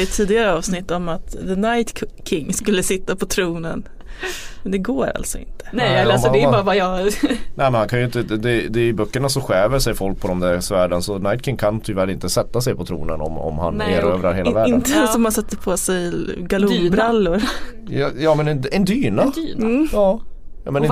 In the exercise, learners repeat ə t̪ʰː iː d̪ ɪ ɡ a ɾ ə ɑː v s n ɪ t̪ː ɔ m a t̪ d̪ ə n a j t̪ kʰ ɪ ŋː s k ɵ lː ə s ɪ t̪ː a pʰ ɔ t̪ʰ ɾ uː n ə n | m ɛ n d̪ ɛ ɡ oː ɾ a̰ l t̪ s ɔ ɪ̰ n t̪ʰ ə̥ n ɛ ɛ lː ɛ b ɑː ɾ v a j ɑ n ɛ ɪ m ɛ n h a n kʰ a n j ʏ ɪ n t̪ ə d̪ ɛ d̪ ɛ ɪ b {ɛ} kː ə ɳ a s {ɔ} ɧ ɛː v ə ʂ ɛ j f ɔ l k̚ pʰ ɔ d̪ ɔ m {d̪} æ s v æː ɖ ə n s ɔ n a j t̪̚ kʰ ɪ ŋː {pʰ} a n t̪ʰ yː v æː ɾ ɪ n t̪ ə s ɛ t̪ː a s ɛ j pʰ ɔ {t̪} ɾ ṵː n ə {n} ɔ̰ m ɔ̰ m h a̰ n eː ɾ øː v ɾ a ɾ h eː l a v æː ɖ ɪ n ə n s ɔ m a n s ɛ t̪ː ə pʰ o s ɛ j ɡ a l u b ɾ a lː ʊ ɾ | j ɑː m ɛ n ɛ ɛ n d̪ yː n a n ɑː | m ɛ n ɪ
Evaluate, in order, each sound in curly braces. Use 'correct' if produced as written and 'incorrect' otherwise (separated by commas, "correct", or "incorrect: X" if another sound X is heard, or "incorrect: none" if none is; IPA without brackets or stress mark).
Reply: incorrect: œ, correct, correct, incorrect: kʰ, incorrect: t̪ʰ, correct